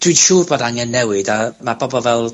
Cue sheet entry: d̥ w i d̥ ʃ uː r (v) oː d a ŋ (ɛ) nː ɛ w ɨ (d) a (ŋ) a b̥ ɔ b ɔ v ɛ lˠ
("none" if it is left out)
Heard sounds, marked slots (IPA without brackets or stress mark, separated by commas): b, ɛ, d, m